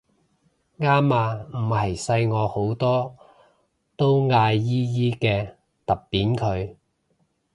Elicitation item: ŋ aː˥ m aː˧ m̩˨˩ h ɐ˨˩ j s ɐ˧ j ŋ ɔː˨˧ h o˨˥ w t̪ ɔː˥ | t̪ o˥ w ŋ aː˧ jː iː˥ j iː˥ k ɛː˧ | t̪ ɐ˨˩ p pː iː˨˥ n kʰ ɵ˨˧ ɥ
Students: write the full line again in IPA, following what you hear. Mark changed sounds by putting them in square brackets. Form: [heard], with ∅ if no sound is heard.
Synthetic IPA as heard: ŋ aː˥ m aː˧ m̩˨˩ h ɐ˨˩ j s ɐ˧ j ŋ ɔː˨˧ h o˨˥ w t̪ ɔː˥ | t̪ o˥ w ŋ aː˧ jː iː˥ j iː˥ k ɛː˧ | t̪ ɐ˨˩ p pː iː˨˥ n kʰ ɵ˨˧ ɥ